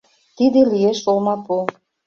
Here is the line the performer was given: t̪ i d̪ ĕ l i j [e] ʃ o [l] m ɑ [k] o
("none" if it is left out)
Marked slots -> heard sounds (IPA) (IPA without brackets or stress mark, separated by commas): e, l, p